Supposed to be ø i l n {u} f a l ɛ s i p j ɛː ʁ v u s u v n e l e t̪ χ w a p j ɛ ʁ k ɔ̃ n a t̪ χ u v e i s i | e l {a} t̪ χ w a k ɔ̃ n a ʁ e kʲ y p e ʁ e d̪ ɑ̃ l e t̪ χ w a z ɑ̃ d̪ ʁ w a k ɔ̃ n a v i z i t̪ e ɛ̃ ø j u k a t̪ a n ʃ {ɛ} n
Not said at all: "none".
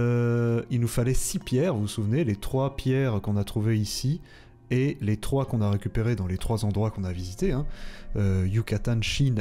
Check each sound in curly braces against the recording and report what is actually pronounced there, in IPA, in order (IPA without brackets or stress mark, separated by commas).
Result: u, e, i